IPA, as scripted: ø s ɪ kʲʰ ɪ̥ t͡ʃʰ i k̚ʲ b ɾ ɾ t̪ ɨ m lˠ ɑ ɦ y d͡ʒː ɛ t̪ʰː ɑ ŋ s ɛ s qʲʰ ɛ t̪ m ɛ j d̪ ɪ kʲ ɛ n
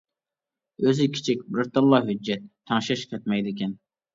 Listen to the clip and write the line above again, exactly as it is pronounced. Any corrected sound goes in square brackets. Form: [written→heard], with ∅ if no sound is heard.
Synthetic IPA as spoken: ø [s→z] ɪ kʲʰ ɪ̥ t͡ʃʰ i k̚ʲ b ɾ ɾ t̪ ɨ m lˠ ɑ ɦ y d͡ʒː ɛ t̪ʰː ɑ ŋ [s→ʃ] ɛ [s→ʃ] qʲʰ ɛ t̪ m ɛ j d̪ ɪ kʲ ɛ n